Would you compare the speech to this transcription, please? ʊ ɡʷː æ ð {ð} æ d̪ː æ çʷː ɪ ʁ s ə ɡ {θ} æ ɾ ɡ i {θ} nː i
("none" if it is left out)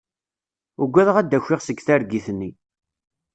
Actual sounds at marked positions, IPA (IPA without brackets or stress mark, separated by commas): ʁ, θ, θ